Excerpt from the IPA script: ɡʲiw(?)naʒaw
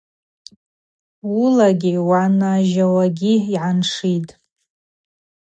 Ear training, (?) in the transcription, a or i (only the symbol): a